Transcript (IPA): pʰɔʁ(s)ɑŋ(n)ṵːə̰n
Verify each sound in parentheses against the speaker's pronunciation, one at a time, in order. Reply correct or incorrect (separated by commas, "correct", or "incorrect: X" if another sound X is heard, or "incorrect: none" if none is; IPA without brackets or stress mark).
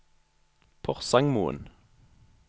correct, incorrect: m